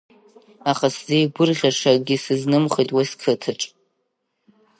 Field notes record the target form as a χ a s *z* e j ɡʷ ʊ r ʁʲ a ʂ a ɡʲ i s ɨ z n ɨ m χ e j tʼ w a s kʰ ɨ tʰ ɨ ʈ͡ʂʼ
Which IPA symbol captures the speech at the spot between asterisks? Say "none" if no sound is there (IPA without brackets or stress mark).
z